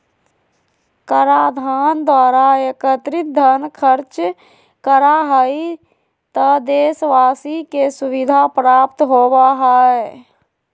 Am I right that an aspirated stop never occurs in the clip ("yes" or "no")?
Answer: no